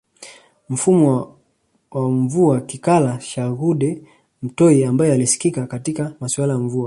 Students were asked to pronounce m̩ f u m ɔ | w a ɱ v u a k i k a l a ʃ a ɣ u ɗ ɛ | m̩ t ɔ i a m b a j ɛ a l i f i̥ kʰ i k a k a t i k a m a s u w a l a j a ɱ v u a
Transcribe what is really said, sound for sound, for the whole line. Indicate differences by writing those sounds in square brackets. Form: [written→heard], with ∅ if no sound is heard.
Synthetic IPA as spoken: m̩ f u m ɔ | w a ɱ v u a k i k a l a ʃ a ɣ u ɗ ɛ | m̩ t ɔ i a m b a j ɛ a l i [f→s] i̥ [kʰ→k] i k a k a t i k a m a s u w a l a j a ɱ v u a